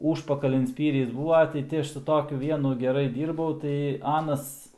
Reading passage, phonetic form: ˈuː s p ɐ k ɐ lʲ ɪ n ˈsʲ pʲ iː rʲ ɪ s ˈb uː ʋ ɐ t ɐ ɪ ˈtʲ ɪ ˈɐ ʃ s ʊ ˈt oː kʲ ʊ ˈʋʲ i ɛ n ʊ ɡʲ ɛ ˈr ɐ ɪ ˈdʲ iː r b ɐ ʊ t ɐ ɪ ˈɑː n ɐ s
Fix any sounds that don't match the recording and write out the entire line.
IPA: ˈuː ʃ p ɐ k ɐ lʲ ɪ n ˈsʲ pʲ iː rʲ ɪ s ˈb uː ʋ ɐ t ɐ ɪ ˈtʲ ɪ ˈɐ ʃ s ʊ ˈt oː kʲ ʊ ˈʋʲ i ɛ n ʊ ɡʲ ɛ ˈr ɐ ɪ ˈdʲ iː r b ɐ ʊ t ɐ ɪ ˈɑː n ɐ s